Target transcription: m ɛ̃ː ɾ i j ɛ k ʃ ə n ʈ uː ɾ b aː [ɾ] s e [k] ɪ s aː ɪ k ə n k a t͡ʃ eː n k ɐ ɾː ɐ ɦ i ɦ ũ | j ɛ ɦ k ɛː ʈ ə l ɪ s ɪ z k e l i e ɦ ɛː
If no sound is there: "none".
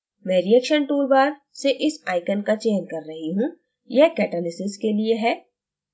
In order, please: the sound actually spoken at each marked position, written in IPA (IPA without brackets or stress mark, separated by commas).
ɾ, ʔ